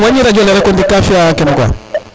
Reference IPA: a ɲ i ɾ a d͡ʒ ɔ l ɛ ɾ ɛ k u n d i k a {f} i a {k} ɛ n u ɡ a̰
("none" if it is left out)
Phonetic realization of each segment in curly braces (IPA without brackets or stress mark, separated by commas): f, k